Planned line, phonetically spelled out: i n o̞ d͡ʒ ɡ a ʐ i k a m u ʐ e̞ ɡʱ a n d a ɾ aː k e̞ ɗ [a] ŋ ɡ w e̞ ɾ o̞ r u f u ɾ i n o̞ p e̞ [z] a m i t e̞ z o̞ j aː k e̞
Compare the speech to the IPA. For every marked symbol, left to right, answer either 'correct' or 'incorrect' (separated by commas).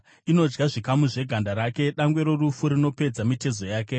correct, incorrect